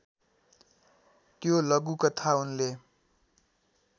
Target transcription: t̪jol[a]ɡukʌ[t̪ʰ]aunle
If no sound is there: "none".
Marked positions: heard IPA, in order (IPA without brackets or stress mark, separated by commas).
ʌ, t̪ʰ